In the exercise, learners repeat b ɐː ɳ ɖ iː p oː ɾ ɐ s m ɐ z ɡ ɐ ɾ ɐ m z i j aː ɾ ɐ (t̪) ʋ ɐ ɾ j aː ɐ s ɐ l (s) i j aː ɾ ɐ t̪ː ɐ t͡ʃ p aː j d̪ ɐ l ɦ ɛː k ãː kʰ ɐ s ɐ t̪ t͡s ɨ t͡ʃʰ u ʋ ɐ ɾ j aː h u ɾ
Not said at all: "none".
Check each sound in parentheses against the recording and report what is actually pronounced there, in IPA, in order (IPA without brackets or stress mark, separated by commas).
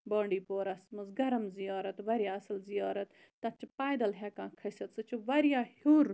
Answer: t̪, z